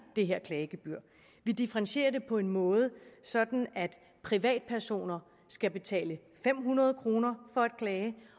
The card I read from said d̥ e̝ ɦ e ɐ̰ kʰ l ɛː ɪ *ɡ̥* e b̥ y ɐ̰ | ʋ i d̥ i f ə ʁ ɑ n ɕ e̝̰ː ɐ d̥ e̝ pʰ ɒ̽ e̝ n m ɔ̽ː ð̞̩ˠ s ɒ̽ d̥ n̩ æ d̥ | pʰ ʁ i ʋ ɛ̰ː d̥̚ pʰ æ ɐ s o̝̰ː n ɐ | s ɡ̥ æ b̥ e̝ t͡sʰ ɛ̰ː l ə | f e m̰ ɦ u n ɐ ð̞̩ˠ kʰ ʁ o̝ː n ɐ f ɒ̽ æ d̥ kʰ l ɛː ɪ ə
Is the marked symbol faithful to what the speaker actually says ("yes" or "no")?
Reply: yes